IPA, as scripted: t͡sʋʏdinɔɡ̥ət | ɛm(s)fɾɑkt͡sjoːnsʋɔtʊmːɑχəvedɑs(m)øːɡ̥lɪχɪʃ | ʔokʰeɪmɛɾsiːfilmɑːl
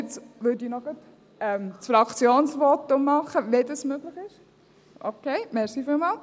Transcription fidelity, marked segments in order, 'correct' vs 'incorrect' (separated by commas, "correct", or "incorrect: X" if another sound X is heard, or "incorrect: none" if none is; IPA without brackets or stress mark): correct, correct